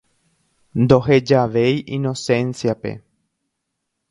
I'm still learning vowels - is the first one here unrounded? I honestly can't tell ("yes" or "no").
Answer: no